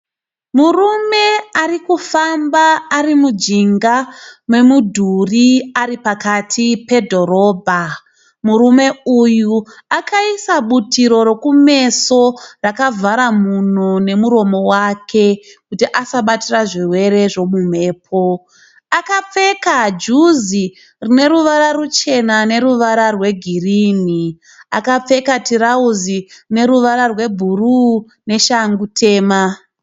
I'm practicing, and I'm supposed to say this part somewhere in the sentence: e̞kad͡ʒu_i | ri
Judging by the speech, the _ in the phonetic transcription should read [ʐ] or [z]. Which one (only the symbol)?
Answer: z